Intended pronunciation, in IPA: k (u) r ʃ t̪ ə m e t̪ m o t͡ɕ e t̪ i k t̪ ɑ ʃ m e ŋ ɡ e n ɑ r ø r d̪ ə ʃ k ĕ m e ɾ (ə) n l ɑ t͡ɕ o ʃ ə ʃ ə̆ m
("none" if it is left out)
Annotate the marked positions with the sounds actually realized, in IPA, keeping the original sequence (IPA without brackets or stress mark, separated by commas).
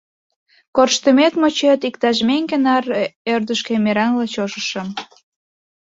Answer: o, ɑ